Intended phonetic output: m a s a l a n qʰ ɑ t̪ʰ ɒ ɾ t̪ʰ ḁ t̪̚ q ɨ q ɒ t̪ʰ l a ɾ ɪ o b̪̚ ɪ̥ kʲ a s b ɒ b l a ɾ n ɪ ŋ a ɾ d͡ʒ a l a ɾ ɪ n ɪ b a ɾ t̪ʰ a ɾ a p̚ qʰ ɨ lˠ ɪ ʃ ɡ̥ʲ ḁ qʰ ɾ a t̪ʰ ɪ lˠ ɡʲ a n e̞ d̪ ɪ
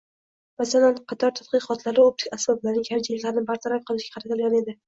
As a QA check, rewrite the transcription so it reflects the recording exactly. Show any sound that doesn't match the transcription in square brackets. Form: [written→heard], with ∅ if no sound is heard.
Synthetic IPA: m a s a l a n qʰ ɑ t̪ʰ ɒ ɾ t̪ʰ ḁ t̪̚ q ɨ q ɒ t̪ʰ l a ɾ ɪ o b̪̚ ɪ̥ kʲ a s b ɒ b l a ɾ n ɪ ŋ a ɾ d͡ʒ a l a ɾ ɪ n ɪ b a ɾ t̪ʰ a ɾ a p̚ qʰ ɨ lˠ ɪ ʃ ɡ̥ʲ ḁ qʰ ɾ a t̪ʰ ɪ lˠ ɡʲ a n e̞ d̪ ɪ